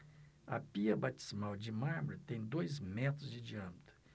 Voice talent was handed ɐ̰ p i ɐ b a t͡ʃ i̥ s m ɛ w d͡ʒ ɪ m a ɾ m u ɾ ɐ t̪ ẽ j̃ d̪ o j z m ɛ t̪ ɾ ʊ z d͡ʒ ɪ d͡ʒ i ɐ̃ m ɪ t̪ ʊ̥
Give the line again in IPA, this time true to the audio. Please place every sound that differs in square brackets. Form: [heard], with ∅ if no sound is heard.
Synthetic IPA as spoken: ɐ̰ p i ɐ b a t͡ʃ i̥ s m [a] w d͡ʒ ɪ m a ɾ m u ɾ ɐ t̪ ẽ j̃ d̪ o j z m ɛ t̪ ɾ ʊ z d͡ʒ ɪ d͡ʒ i ɐ̃ m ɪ t̪ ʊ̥